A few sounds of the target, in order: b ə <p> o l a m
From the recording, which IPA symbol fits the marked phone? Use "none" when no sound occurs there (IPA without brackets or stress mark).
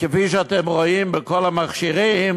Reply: k